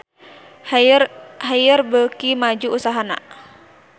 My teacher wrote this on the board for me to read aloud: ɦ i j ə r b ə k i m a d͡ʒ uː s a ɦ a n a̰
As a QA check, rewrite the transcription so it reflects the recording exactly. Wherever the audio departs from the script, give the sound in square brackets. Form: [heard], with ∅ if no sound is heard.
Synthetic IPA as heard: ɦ [a] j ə r b ə k i m a d͡ʒ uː s a ɦ a n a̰